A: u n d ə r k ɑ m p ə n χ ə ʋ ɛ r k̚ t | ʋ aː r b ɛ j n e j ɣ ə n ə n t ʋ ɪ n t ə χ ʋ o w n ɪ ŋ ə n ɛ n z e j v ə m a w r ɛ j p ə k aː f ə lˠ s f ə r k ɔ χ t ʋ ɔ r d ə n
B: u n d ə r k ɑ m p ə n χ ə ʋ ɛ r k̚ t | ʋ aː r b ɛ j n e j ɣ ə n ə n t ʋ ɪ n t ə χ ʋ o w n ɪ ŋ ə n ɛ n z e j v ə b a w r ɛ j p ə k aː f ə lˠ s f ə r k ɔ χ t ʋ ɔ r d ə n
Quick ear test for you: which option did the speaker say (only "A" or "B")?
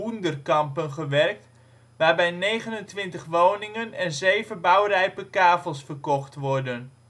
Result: B